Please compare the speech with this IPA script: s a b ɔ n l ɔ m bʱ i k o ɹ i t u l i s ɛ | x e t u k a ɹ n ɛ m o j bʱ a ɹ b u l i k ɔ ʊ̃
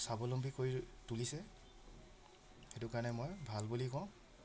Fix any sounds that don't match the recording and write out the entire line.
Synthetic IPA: s a b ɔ l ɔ m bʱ i k o ɹ i t u l i s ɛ | x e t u k a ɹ n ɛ m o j bʱ a l b u l i k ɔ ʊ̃